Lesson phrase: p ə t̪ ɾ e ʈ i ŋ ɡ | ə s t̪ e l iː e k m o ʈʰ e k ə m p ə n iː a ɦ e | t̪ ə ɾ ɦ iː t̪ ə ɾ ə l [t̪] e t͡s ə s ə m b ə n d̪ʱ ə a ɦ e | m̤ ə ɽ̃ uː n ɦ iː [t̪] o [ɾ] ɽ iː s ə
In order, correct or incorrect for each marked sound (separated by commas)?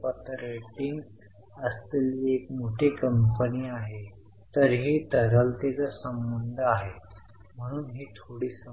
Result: correct, incorrect, incorrect